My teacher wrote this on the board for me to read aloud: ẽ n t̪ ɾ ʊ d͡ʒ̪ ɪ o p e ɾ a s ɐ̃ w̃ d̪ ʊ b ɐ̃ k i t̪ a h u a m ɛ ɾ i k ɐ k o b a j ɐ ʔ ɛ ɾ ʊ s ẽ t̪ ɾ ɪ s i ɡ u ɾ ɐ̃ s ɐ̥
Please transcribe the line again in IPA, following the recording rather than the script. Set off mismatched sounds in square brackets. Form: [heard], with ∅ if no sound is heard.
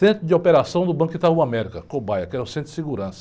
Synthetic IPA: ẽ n t̪ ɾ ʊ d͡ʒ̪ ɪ o p e ɾ a s ɐ̃ w̃ d̪ ʊ b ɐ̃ k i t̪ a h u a m ɛ ɾ i k ɐ k o b a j ɐ [k] ɛ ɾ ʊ s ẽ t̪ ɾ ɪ s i ɡ u ɾ ɐ̃ s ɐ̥

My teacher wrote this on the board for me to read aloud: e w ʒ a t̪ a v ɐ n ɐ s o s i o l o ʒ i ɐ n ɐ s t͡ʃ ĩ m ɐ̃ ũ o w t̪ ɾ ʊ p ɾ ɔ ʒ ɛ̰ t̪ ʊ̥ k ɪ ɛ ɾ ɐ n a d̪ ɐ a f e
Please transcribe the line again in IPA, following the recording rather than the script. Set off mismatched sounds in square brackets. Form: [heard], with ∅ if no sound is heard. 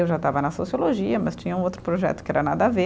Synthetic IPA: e w ʒ a t̪ a v ɐ n ɐ s o s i o l o ʒ i ɐ [m] ɐ s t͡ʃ ĩ [ɲ] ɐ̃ ũ o w t̪ ɾ ʊ p ɾ [o] ʒ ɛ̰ t̪ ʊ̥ k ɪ ɛ ɾ ɐ n a d̪ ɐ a [v] e

